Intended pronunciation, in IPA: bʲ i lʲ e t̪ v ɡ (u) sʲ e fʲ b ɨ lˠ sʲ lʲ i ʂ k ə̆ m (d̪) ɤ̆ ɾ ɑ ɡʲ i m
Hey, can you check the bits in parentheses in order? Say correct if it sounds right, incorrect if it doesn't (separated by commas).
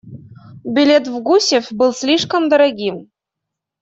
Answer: correct, correct